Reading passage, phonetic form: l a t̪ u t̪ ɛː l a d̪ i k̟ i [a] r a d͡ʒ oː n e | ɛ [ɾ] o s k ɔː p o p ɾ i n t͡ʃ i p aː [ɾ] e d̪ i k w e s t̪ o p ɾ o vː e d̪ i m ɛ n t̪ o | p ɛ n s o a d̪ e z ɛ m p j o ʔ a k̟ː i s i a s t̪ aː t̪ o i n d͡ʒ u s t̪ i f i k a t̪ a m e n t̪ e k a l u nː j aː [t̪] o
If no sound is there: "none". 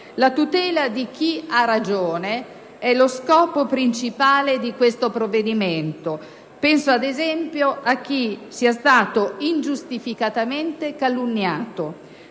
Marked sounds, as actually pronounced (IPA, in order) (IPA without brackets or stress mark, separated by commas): a, l, l, t̪